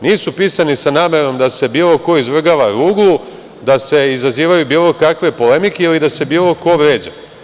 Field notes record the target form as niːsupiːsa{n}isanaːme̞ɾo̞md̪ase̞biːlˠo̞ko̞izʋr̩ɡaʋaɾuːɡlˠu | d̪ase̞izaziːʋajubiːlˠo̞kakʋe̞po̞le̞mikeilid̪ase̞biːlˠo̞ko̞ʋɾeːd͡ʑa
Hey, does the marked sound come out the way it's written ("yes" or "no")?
yes